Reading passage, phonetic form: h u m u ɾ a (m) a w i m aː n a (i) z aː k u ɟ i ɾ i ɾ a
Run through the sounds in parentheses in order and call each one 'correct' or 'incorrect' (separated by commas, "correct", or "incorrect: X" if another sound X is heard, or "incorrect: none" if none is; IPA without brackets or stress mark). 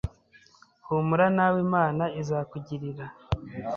incorrect: n, correct